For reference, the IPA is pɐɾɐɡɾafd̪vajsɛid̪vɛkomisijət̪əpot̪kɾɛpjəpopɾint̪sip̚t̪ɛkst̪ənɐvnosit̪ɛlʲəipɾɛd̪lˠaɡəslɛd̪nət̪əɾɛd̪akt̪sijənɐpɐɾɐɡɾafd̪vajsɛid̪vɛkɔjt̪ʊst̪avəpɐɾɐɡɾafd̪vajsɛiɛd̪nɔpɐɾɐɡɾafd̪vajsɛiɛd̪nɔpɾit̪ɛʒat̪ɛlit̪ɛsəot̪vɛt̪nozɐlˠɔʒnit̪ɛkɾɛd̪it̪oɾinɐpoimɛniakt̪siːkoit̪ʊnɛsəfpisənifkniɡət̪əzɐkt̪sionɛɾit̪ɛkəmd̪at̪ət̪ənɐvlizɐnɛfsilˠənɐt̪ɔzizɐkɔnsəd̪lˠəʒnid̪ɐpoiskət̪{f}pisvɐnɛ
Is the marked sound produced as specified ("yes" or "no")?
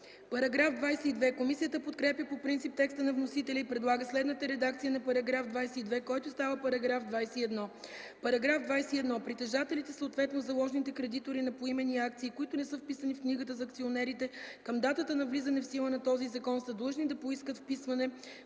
yes